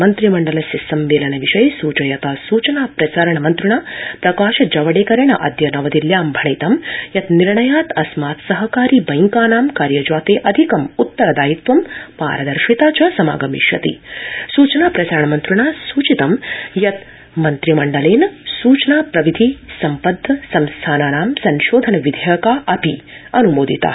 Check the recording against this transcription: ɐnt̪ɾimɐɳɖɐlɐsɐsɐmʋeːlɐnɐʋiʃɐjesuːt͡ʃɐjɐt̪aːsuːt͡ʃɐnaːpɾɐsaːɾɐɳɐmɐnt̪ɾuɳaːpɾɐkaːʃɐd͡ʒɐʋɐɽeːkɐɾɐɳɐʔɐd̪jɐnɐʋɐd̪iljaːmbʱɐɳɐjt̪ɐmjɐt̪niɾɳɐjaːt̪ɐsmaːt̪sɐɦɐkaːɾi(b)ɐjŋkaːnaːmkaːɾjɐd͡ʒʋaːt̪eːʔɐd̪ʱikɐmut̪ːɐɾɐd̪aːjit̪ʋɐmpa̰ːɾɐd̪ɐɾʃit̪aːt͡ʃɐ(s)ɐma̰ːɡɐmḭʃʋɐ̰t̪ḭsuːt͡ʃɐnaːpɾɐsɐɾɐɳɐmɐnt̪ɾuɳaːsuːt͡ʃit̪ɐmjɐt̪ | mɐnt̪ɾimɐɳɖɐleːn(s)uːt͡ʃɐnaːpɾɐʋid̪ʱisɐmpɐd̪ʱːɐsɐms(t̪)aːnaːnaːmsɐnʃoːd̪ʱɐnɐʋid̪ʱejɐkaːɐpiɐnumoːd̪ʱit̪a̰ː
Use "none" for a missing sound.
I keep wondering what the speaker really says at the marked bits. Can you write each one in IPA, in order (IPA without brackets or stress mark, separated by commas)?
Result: b, s, s, t̪ʰ